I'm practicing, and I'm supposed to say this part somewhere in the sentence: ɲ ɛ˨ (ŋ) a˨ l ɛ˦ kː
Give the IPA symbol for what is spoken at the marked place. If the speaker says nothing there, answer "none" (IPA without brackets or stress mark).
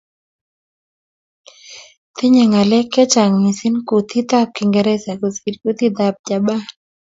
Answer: ŋ